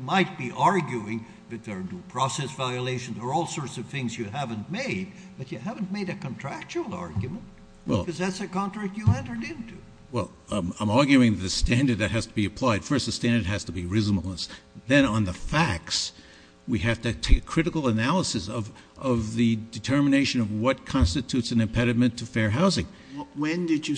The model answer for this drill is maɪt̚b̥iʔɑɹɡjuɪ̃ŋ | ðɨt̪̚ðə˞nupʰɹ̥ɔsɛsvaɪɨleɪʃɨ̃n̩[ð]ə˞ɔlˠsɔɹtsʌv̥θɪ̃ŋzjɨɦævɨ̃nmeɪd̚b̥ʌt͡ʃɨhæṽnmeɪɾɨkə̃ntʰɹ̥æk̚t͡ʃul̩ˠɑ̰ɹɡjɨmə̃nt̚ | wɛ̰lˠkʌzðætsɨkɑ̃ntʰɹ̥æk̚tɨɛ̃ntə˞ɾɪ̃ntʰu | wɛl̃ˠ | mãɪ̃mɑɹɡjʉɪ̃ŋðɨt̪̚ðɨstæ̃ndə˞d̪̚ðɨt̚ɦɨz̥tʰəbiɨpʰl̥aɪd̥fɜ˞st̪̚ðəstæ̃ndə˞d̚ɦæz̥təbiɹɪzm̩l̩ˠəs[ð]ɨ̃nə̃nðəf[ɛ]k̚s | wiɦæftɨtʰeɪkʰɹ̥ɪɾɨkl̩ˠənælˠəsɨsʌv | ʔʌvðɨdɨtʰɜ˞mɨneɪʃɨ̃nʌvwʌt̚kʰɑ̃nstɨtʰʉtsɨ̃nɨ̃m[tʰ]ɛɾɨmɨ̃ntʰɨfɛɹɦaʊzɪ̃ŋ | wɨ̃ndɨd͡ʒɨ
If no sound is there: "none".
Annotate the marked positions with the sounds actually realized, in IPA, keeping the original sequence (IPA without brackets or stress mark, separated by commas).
z, ð, æ, pʰ